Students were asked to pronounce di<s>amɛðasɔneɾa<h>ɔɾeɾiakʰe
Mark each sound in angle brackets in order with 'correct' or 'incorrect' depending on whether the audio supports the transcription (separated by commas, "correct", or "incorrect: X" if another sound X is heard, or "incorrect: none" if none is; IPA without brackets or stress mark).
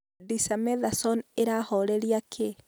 correct, correct